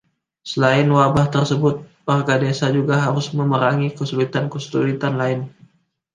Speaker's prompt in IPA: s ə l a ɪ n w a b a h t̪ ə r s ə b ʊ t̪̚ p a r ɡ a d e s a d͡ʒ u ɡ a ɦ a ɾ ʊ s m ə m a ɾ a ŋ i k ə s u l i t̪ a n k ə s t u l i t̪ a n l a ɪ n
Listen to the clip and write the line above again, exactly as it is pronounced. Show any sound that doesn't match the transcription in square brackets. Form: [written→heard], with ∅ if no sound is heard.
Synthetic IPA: s ə l a ɪ n w a b a h t̪ ə r s ə b ʊ t̪̚ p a r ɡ a d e s a d͡ʒ u ɡ a ɦ a ɾ ʊ s m ə m [a→ə] ɾ a ŋ i k ə s u l i t̪ a n k ə s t u l i t̪ a n l a ɪ n